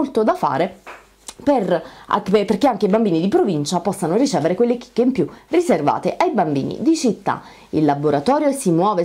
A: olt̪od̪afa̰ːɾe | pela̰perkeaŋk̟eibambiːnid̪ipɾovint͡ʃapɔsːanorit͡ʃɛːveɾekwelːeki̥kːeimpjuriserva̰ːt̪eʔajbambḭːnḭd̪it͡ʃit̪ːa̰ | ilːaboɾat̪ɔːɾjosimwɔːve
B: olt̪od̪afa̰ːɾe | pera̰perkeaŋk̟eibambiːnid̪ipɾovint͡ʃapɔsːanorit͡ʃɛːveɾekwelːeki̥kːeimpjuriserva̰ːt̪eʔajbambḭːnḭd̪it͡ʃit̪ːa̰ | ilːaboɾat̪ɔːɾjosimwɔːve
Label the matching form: B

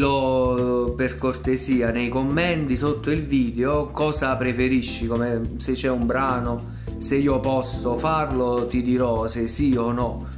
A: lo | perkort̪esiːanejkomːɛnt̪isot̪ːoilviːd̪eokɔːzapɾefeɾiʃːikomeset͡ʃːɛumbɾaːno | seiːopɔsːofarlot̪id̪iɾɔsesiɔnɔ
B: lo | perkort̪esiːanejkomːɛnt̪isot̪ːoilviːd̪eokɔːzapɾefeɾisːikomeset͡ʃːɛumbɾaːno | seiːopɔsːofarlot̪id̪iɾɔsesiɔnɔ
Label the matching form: A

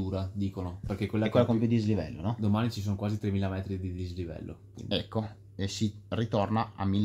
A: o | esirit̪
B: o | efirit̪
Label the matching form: A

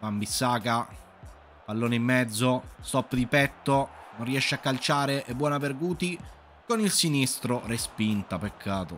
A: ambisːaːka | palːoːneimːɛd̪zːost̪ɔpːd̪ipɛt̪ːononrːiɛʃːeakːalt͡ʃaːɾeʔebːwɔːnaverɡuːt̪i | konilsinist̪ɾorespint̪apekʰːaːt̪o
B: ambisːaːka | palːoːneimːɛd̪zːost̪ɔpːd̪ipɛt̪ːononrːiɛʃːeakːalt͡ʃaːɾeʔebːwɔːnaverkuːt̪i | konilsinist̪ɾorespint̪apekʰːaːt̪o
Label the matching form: A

